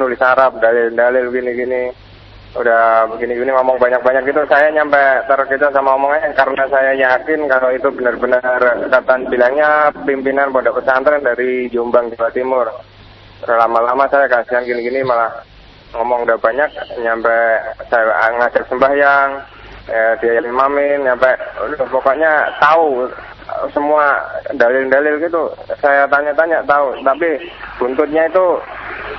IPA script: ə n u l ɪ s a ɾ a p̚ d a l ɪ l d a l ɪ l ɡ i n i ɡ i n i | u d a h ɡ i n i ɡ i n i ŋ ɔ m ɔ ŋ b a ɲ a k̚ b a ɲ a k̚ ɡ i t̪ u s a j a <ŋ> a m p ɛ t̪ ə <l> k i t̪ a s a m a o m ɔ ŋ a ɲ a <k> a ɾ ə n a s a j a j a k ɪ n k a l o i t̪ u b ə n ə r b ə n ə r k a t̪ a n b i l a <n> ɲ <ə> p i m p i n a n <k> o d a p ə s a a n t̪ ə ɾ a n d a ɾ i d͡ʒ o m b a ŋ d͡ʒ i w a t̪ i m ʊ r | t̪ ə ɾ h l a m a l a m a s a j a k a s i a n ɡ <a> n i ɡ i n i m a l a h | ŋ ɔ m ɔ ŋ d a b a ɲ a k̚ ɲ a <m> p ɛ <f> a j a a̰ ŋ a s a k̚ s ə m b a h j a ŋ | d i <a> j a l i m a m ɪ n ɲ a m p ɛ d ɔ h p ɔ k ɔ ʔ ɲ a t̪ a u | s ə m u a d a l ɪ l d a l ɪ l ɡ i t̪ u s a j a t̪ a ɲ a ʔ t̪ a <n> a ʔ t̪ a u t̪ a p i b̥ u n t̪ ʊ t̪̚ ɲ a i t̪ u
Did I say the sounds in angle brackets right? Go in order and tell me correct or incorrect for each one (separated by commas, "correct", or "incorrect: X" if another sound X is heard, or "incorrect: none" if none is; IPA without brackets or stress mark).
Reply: incorrect: ɲ, incorrect: ɾ, correct, incorrect: ŋ, incorrect: a, incorrect: p, incorrect: i, correct, incorrect: s, correct, incorrect: ɲ